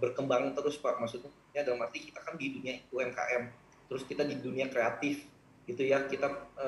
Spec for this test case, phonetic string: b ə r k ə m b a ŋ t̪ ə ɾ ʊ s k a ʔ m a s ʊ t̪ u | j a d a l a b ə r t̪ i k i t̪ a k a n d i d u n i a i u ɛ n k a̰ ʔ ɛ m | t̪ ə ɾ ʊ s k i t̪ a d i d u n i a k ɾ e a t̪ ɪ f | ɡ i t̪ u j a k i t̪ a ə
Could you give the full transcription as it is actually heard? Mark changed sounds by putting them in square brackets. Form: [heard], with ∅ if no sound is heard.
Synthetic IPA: b ə r k ə m b a ŋ t̪ ə ɾ ʊ s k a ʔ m a s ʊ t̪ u | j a d a l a [m] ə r t̪ i k i t̪ a k a n d i d u n i a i u ɛ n k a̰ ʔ ɛ m | t̪ ə ɾ ʊ s k i t̪ a d i d u n i a k ɾ e a t̪ ɪ f | ɡ i t̪ u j a k i t̪ a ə